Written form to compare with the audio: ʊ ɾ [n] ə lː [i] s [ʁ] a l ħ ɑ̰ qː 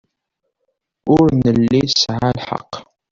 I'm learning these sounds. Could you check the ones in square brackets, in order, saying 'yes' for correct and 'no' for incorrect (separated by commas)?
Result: yes, yes, no